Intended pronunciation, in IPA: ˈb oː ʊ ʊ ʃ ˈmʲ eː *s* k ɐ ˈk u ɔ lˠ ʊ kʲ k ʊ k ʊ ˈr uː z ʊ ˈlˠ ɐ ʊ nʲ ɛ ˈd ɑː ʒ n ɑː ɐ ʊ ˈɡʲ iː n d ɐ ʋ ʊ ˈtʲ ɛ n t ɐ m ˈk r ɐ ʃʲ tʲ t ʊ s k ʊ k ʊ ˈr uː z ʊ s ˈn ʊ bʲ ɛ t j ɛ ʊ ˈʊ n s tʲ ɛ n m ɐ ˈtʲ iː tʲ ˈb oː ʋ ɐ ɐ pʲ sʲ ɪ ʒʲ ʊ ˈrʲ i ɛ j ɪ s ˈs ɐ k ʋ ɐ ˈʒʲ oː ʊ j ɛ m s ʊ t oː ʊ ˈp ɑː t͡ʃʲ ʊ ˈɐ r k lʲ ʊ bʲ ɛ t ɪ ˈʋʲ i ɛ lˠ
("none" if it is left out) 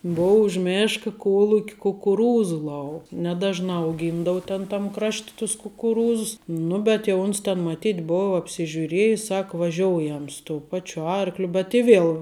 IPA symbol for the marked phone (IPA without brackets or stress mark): ʃ